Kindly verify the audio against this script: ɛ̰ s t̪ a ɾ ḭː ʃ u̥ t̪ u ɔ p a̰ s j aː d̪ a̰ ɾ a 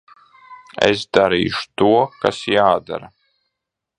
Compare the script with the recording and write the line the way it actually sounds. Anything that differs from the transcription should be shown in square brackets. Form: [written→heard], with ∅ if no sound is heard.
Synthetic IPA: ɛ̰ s [t̪→d̪] a ɾ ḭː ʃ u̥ t̪ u ɔ [p→k] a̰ s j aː d̪ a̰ ɾ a